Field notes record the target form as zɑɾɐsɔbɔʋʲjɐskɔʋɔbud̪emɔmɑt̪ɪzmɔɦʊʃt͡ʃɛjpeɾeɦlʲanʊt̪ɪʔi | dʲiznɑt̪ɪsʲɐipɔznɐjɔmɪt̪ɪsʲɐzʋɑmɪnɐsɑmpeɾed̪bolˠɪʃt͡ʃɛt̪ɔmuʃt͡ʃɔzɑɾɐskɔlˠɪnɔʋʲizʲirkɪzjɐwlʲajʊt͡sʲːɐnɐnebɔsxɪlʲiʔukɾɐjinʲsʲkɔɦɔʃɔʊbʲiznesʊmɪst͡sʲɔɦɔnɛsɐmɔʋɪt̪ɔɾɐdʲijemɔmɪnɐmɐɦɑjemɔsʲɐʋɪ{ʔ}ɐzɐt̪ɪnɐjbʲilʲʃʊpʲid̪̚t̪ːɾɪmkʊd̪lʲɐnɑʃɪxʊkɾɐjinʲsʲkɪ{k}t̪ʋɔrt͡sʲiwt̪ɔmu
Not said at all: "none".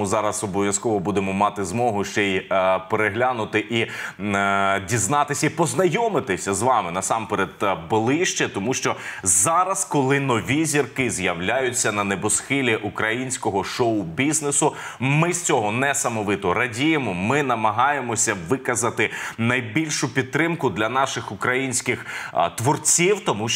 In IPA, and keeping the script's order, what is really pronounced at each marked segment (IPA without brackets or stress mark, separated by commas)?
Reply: k, x